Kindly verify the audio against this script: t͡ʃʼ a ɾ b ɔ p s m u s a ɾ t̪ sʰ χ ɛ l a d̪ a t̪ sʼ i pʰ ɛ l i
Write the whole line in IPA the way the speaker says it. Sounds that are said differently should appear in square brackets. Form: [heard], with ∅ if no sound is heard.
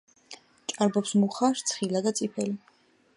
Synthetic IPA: t͡ʃʼ a ɾ b ɔ p s m u [χ] a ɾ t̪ sʰ χ [i] l a d̪ a t̪ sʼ i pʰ ɛ l i